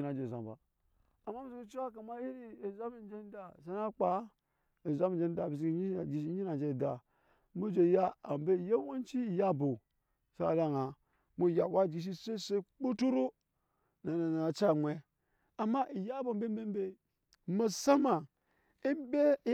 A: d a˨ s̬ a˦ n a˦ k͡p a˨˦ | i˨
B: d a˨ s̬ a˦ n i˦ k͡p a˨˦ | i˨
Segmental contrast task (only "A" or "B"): A